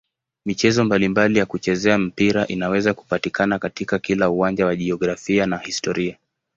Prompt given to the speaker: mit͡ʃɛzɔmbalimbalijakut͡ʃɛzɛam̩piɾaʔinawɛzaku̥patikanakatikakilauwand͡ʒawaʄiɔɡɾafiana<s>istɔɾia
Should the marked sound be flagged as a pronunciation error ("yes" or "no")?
yes